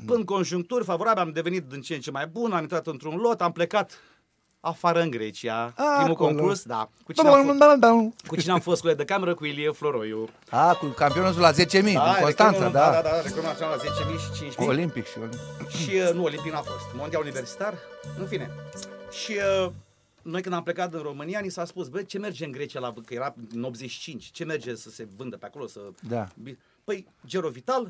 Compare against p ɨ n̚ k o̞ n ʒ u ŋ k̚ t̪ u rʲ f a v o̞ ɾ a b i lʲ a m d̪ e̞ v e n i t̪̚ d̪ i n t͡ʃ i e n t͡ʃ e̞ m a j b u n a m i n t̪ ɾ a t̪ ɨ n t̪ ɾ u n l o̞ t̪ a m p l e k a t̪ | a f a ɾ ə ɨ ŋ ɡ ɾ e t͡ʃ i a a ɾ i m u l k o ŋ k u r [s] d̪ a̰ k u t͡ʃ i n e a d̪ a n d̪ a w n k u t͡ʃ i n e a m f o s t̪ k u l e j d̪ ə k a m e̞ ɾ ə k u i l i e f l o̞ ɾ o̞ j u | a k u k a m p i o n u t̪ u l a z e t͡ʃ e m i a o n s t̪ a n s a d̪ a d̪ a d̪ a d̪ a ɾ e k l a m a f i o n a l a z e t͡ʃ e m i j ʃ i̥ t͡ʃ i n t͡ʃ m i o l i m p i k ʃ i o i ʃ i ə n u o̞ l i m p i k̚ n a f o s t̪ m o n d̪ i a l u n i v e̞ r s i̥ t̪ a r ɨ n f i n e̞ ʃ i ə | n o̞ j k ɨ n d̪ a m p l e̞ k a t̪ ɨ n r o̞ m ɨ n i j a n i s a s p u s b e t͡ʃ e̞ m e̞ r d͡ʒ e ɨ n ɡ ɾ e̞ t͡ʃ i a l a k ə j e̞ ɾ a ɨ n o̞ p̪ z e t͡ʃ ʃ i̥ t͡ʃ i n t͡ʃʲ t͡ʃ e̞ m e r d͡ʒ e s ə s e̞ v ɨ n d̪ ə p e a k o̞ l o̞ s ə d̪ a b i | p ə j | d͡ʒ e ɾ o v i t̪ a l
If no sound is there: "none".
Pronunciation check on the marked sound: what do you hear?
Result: s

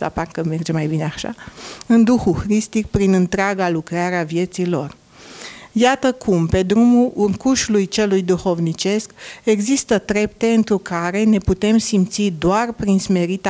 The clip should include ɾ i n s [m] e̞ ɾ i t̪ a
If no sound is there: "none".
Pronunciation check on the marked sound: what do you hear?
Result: m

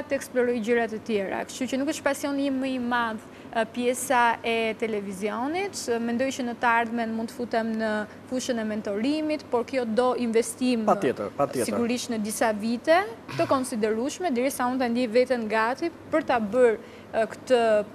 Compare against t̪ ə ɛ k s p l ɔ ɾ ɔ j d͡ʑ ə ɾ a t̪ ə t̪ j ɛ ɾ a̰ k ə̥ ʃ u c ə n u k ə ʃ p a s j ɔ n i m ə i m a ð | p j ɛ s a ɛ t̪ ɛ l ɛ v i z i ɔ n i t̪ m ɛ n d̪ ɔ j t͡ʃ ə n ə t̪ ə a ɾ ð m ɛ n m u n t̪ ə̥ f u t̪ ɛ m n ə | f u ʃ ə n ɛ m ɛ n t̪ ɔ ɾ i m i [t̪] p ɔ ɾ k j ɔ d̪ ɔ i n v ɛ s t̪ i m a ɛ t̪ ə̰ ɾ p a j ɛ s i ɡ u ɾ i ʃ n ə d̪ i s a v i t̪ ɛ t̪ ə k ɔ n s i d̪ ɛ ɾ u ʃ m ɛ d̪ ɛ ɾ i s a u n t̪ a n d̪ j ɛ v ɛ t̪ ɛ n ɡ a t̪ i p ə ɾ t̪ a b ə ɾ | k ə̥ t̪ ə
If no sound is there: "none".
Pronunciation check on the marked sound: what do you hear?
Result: t̪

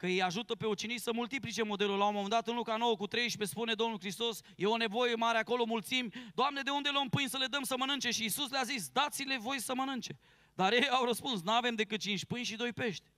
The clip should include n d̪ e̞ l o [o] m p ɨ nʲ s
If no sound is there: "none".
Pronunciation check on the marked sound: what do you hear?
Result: o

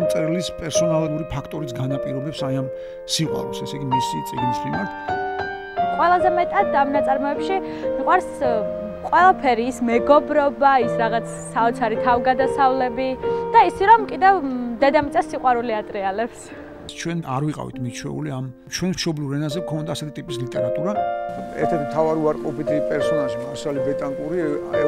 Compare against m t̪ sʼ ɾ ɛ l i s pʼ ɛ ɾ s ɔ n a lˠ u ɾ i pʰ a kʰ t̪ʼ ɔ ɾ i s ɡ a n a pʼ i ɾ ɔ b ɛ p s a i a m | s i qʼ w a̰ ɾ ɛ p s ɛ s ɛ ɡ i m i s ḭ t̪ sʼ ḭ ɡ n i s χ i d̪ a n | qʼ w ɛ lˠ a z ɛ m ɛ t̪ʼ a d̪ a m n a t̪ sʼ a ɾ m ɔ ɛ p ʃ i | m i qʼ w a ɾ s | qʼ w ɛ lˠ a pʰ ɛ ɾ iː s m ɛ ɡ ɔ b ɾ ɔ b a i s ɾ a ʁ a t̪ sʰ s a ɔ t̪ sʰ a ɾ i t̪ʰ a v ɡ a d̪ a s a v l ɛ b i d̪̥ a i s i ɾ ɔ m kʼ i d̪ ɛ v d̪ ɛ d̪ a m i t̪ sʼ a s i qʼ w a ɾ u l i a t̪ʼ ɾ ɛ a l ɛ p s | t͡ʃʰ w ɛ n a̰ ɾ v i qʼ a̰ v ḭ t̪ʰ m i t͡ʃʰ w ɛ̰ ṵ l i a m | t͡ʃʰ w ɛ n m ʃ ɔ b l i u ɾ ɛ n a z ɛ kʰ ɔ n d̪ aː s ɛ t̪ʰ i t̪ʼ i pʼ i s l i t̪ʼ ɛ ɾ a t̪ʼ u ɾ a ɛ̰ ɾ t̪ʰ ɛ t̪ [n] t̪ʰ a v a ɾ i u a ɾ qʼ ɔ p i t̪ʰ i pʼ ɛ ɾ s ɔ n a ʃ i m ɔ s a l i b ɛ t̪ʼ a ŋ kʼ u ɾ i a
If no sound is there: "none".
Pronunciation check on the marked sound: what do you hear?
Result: m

